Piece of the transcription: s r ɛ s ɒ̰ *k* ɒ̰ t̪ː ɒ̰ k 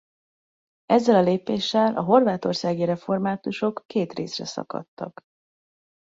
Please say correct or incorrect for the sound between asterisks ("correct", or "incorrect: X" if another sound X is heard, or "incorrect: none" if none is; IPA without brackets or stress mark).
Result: correct